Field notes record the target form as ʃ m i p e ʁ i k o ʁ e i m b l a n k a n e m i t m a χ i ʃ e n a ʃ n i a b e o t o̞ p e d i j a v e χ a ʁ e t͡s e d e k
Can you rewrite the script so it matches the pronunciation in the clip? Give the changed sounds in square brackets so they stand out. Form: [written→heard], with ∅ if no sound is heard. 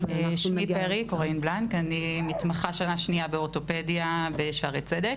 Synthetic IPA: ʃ m i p e ʁ i k o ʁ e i [m→n] b l a n k a n [e→i] m i t m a χ [i→a] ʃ [e→a] n a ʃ n i a b e o t o̞ p e d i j a [v→b] e [χ→ʃ] a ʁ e t͡s e d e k